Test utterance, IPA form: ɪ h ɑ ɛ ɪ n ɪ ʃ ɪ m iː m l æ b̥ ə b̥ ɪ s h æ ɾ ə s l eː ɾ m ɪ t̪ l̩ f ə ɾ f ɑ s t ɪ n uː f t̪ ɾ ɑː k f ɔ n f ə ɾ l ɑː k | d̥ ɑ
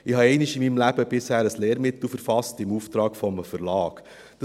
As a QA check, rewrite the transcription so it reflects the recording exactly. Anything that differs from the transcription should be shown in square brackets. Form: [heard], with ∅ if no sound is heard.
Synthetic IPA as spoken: ɪ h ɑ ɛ ɪ n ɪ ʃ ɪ m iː m l æ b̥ ə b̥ ɪ s h [æː] ɾ ə s l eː ɾ m ɪ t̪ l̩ f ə ɾ f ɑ s t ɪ [m] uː f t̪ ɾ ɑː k f ɔ [m] f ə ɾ l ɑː k | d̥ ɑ